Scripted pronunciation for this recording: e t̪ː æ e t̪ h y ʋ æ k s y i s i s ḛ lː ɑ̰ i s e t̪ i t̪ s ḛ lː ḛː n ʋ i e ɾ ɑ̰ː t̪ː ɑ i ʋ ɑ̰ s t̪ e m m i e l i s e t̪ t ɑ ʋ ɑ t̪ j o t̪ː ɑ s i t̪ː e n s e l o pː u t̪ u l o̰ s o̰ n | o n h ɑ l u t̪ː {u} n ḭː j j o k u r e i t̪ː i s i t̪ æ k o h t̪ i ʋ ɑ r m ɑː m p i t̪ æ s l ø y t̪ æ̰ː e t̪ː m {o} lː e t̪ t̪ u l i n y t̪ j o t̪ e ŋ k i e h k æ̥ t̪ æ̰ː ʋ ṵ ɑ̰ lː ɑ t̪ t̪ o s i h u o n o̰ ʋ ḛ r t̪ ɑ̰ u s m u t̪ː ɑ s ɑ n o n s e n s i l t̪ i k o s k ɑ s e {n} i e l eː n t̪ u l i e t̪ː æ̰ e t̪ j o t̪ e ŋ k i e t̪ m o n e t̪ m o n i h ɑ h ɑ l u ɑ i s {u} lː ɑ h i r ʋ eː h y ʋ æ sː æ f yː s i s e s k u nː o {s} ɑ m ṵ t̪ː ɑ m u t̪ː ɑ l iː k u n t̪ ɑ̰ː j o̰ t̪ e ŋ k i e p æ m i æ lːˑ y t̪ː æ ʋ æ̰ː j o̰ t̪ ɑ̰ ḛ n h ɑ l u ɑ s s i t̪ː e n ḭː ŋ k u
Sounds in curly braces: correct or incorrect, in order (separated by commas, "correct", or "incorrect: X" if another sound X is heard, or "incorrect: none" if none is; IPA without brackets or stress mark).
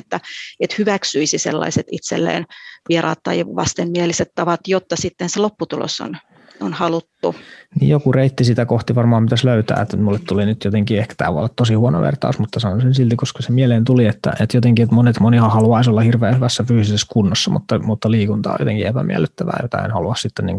correct, incorrect: u, incorrect: m, incorrect: o, incorrect: sː